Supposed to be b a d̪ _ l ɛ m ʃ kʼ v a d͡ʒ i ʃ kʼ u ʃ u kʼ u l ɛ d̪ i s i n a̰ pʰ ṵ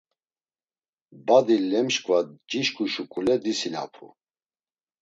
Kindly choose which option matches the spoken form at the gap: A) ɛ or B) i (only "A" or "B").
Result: B